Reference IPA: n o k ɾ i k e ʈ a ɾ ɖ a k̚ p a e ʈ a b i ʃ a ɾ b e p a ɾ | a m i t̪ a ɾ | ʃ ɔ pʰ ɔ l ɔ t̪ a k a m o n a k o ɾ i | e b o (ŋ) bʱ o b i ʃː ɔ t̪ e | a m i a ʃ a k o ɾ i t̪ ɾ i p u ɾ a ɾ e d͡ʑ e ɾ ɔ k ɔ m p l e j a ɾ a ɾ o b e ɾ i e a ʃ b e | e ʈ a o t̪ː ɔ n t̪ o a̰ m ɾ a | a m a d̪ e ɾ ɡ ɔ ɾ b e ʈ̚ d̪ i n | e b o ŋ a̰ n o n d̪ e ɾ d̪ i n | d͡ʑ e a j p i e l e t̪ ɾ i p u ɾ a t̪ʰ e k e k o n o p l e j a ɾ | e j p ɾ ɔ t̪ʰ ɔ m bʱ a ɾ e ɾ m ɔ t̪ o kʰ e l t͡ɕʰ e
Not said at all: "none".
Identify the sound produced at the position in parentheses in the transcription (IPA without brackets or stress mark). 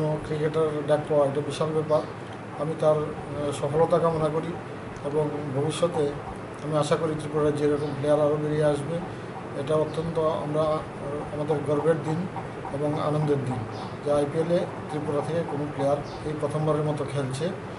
ŋ